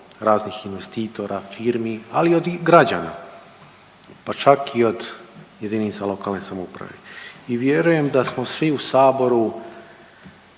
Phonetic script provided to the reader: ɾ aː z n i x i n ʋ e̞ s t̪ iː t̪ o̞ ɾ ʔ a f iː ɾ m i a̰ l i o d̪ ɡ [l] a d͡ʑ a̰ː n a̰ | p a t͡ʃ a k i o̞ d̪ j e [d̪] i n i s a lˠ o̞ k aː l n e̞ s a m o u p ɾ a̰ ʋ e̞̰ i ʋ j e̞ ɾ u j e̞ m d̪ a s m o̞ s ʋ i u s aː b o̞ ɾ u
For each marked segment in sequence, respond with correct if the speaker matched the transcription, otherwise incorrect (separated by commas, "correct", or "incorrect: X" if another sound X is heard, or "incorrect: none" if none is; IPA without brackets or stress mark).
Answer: incorrect: ɾ, correct